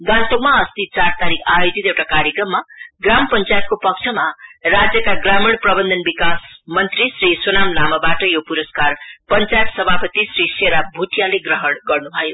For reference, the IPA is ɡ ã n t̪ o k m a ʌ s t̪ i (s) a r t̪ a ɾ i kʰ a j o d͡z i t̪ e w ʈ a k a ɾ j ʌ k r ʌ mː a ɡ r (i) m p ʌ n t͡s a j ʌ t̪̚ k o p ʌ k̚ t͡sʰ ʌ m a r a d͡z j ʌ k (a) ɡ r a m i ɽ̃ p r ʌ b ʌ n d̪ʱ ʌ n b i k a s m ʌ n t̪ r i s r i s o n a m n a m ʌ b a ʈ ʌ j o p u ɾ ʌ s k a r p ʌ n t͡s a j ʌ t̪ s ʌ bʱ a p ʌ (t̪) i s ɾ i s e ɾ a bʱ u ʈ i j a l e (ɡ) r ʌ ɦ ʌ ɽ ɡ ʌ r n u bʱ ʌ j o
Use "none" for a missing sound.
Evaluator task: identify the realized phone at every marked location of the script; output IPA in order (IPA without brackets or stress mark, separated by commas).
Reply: t͡s, a, a, t̪, ɡ